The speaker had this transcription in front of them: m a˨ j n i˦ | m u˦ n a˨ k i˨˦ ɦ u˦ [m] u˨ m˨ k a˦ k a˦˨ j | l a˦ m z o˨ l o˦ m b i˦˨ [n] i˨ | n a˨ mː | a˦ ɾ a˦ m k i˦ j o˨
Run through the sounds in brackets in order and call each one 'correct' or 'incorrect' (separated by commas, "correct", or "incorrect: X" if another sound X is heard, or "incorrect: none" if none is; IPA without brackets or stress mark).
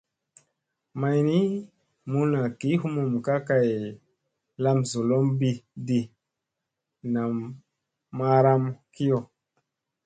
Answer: correct, incorrect: d